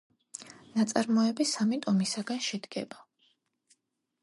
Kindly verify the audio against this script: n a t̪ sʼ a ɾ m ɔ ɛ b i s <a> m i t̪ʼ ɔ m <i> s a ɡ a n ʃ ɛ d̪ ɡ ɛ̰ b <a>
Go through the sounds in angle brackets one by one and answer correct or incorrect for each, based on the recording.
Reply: correct, correct, correct

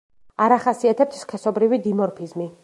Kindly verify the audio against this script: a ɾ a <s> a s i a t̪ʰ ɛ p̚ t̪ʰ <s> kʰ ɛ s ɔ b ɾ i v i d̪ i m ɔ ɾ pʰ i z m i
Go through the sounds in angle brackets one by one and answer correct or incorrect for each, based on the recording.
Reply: incorrect: χ, correct

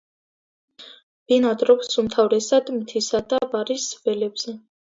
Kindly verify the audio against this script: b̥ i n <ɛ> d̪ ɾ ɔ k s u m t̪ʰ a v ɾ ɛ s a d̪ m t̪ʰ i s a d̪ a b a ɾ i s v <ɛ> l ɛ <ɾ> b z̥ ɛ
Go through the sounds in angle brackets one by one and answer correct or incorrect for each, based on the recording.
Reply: incorrect: a, correct, incorrect: none

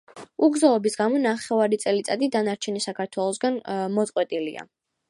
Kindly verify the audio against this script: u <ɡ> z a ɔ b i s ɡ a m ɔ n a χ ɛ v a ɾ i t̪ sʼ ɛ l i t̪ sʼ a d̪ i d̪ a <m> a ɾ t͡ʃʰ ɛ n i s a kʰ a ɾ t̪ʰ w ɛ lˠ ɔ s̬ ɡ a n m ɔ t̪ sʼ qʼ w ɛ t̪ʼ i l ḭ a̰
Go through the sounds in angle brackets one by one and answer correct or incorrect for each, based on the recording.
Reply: correct, incorrect: n

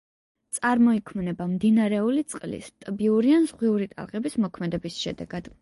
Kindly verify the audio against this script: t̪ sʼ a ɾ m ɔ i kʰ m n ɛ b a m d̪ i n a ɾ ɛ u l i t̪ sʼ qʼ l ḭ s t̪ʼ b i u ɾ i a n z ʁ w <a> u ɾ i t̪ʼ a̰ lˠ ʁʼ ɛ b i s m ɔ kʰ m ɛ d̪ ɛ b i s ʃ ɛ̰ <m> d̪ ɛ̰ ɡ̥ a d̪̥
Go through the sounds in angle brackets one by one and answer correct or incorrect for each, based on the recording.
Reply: incorrect: i, incorrect: none

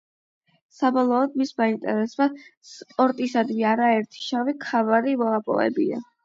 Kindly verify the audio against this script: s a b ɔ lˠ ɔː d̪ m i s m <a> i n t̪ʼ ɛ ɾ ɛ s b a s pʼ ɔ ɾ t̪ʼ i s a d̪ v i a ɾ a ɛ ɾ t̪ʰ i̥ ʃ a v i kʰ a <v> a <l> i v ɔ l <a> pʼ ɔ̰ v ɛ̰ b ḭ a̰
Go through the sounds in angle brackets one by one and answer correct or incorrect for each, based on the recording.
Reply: correct, correct, incorrect: ɾ, correct

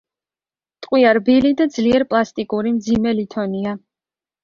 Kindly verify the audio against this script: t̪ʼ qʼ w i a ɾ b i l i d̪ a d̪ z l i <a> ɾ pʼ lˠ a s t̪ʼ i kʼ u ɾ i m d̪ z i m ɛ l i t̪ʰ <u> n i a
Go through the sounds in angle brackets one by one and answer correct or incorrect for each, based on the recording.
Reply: incorrect: ɛ, incorrect: ɔ

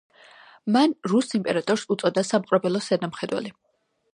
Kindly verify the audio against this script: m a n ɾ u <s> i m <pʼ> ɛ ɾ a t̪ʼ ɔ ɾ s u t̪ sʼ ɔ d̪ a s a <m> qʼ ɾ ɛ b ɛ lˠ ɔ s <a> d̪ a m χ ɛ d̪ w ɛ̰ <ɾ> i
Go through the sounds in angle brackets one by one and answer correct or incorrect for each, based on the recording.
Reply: correct, correct, correct, incorrect: ɛ, incorrect: l

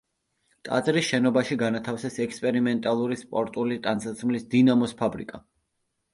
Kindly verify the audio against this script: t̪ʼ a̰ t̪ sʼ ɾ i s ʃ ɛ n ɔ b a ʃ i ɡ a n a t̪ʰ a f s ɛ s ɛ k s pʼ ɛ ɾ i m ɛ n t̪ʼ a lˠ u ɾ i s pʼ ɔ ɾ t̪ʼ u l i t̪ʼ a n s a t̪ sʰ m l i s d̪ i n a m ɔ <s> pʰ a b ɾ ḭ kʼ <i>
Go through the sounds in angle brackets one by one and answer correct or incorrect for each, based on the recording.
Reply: correct, incorrect: a

